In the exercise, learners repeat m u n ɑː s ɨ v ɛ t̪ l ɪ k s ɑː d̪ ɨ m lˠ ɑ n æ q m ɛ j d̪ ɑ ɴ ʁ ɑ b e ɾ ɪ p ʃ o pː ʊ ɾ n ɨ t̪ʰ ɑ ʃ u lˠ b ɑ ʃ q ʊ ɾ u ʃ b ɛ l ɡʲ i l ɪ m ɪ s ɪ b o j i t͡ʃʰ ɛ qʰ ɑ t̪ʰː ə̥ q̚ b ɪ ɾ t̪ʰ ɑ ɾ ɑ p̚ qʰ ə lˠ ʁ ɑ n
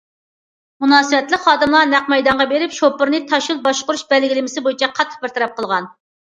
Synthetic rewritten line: m u n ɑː s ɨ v ɛ t̪ l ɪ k χ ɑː d̪ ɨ m lˠ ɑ n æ q m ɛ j d̪ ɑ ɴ ʁ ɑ b e ɾ ɪ p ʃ o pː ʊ ɾ n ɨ t̪ʰ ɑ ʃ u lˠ b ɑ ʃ q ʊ ɾ u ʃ b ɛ l ɡʲ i l ɪ m ɪ s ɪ b o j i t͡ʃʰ ɛ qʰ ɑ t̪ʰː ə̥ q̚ b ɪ ɾ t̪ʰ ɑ ɾ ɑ p̚ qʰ ə lˠ ʁ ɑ n

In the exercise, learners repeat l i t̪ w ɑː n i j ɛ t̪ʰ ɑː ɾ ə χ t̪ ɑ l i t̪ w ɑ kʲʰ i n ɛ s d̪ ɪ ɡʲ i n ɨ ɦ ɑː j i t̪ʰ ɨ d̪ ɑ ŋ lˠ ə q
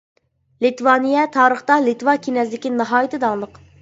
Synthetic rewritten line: l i t̪ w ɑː n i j ɛ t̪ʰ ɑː ɾ ə χ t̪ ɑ l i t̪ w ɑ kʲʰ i n ɛ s d̪ ɪ kʲ i n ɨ ɦ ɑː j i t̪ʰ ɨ d̪ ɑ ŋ lˠ ə q

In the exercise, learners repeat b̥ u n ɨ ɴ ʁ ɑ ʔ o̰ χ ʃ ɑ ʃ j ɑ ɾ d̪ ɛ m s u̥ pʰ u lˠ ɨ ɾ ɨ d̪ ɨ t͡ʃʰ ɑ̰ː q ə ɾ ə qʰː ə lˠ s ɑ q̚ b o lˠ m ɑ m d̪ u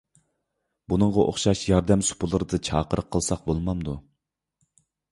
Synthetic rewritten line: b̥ u n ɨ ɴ ʁ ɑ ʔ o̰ χ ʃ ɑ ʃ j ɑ ɾ d̪ ɛ m s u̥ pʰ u lˠ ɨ ɾ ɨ d̪ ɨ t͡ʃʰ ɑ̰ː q ə ɾ ə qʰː ə lˠ s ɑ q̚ b o lˠ m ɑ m d̪ u

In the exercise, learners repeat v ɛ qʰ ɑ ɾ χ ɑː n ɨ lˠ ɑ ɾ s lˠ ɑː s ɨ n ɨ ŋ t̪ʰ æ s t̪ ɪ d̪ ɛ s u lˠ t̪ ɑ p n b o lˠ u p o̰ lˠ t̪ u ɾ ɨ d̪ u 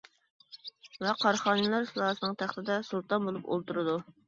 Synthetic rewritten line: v ɛ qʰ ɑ ɾ χ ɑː n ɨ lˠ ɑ ɾ s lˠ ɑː s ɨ n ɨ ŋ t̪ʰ æ χ t̪ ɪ d̪ ɛ s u lˠ t̪ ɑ n b o lˠ u p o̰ lˠ t̪ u ɾ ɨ d̪ u

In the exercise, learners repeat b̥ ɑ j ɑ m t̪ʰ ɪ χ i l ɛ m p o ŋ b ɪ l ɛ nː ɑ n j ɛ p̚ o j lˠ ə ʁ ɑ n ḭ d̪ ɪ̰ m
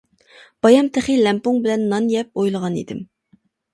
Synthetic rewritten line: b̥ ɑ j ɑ m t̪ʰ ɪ χ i l ɛ m p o ŋ b ɪ l ɛ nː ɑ n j ɛ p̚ o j lˠ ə ʁ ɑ n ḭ d̪ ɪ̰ m

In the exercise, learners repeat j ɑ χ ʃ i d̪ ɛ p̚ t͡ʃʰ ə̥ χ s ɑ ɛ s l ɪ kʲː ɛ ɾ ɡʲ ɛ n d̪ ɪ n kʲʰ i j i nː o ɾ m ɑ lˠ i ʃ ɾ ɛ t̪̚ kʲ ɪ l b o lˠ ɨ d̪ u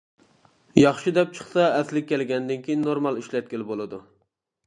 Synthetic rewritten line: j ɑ χ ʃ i d̪ ɛ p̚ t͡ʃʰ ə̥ χ s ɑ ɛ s l ɪ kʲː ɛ l ɡʲ ɛ n d̪ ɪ n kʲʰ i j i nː o ɾ m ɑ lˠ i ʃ l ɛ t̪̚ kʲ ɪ l b o lˠ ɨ d̪ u

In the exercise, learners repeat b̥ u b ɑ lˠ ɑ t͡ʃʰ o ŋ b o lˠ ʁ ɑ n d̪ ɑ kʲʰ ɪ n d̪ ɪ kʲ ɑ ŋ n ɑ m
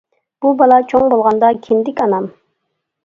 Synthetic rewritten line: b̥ u b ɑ lˠ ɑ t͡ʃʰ o ŋ b o lˠ ʁ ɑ n d̪ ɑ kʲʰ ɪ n d̪ ɪ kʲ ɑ n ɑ m

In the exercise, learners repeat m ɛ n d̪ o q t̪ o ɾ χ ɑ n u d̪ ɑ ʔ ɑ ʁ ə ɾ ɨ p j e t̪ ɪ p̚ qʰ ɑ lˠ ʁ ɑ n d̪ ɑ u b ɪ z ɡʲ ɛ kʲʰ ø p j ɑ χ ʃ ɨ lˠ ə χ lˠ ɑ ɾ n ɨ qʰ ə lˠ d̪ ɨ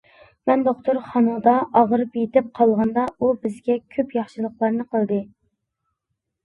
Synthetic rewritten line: m ɛ n d̪ o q t̪ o ɾ χ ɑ n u d̪ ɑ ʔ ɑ ʁ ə ɾ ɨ p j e t̪ ɪ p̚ qʰ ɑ lˠ ʁ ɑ n d̪ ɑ u b ɪ z ɡʲ ɛ kʲʰ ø p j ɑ χ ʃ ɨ lˠ ə χ lˠ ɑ ɾ n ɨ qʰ ə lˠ d̪ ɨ

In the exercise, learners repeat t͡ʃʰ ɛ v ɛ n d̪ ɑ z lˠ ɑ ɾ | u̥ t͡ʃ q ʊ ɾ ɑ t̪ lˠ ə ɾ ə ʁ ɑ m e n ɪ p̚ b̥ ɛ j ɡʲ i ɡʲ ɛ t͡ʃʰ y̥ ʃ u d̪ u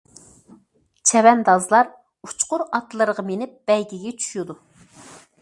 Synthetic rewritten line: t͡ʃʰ ɛ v ɛ n d̪ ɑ z lˠ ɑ ɾ | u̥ t͡ʃ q ʊ ɾ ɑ t̪ lˠ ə ɾ ə ʁ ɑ m e n ɪ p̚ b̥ ɛ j ɡʲ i ɡʲ ɛ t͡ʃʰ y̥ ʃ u d̪ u

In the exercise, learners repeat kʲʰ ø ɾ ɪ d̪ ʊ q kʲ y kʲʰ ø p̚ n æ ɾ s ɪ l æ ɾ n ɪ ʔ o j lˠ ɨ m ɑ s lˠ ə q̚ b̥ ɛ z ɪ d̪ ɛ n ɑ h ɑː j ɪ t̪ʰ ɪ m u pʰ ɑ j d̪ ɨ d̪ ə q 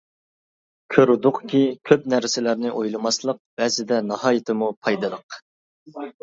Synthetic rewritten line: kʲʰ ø ɾ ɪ d̪ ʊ q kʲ i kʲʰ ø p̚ n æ ɾ s ɪ l æ ɾ n ɪ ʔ o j lˠ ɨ m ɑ s lˠ ə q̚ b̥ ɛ z ɪ d̪ ɛ n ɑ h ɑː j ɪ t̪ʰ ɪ m u pʰ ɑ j d̪ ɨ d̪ ə q

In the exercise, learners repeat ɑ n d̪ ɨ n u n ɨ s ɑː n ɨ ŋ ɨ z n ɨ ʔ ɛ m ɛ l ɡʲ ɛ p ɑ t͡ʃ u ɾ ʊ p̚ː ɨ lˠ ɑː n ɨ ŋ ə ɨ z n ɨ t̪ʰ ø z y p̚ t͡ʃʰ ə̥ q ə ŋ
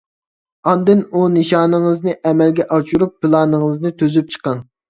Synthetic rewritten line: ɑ n d̪ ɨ n u n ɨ ʃ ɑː n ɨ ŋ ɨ z n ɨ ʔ ɛ m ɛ l ɡʲ ɛ ʔ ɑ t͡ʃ u ɾ u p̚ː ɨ lˠ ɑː n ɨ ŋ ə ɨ z n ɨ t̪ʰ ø z y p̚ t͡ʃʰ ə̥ q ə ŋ

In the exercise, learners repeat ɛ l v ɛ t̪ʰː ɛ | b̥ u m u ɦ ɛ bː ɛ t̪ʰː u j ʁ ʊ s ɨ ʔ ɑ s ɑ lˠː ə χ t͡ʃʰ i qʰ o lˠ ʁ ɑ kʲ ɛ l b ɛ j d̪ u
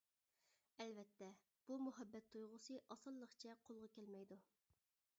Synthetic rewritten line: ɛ l v ɛ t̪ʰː ɛ | b̥ u m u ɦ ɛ bː ɛ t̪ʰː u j ʁ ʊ s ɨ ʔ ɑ s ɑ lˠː ə χ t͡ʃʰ ɛ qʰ o lˠ ʁ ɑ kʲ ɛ l m ɛ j d̪ u

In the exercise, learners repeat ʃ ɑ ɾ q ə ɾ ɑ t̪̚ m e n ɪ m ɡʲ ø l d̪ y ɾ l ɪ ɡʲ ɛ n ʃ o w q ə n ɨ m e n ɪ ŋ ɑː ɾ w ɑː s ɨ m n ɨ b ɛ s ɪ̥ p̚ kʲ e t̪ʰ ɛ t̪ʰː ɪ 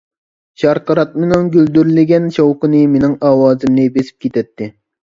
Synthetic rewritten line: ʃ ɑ ɾ q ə ɾ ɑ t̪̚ m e n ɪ ŋ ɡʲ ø l d̪ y ɾ l ɪ ɡʲ ɛ n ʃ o w q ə n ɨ m e n ɪ ŋ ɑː w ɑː z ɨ m n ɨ b e s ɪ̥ p̚ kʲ e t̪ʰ ɛ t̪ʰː ɪ

